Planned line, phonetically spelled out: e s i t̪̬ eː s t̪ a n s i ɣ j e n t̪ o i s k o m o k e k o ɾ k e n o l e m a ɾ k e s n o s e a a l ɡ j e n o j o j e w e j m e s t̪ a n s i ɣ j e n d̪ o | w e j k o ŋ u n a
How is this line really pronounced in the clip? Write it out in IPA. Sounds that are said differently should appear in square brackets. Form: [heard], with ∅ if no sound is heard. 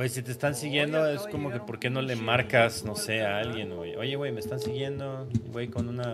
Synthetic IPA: e s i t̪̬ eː s t̪ a n s i ɣ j e n [d̪] o [e] s k o m o k e [p] o ɾ k e n o l e m a ɾ k [a] s n o s e a a l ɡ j e n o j o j e w e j m e s t̪ a n s i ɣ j e n d̪ o | w e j k o [n] u n a